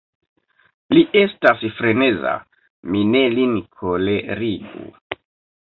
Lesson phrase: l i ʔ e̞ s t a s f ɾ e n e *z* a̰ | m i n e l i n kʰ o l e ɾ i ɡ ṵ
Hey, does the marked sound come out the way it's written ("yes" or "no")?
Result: yes